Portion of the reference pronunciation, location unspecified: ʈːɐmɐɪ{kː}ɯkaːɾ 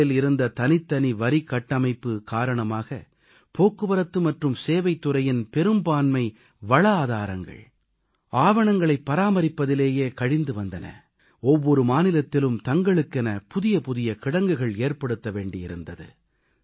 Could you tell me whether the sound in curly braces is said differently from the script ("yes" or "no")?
yes